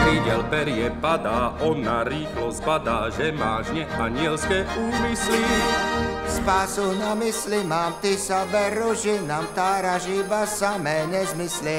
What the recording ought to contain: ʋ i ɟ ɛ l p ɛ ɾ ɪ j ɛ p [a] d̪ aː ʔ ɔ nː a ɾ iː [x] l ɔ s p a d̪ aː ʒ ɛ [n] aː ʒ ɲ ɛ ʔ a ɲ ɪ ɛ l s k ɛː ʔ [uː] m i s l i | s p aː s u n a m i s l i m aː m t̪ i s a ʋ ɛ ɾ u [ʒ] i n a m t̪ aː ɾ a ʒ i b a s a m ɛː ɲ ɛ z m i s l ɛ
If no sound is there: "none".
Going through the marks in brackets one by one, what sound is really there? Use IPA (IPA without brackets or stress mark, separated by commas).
a, x, m, uː, ʒ